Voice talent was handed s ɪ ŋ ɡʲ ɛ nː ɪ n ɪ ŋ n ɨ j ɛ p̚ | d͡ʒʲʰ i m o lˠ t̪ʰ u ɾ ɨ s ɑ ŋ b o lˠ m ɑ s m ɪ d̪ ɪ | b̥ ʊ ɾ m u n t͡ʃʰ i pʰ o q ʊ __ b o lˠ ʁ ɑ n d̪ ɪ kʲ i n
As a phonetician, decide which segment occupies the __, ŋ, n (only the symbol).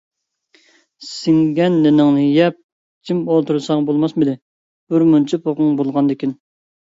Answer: ŋ